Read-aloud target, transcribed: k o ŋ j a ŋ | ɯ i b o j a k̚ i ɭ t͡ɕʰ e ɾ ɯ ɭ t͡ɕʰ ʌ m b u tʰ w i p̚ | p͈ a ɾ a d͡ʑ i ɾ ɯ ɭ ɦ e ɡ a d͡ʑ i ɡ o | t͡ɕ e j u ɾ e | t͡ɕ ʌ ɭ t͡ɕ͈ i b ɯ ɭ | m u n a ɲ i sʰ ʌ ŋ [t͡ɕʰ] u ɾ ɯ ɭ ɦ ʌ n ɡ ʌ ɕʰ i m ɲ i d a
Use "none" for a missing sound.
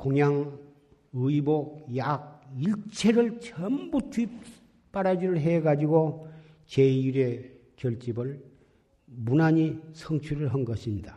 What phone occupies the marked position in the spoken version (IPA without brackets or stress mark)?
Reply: t͡ɕʰ